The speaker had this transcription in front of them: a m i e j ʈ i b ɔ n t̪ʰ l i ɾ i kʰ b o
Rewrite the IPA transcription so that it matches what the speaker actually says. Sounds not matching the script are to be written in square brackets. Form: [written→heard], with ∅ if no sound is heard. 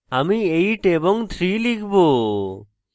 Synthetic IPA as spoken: a m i e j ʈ [i→e] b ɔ [n→ŋ] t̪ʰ [l→ɾ] i [ɾ→l] i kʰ b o